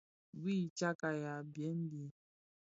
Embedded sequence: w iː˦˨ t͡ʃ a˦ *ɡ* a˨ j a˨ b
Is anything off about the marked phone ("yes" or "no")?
yes